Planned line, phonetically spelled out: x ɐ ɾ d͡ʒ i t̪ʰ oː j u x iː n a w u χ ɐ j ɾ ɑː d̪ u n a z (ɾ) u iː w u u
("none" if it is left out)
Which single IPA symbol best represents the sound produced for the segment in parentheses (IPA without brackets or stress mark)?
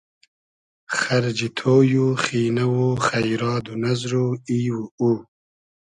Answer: ɾ